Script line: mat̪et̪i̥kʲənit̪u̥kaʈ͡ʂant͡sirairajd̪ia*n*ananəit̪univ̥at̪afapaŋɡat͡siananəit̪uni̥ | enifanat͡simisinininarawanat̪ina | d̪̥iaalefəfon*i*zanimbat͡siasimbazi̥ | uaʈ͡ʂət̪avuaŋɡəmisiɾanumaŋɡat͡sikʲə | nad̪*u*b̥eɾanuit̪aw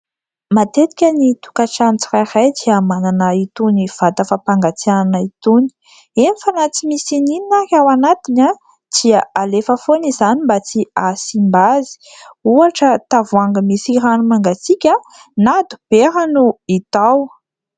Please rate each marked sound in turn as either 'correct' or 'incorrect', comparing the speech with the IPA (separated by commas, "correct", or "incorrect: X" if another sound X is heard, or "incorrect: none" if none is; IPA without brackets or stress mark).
incorrect: m, correct, correct